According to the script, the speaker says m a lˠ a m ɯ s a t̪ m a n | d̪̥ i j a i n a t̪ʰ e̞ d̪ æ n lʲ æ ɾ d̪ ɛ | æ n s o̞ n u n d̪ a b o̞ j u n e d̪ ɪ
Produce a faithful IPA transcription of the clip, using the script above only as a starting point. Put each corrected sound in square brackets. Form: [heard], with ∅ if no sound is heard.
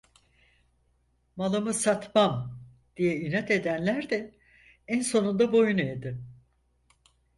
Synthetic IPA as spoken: m a lˠ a m ɯ s a t̪ m a [m] | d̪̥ i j [ɛ] i n a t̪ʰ e̞ d̪ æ n lʲ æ ɾ d̪ ɛ | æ n s o̞ n u n d̪ a b o̞ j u n e d̪ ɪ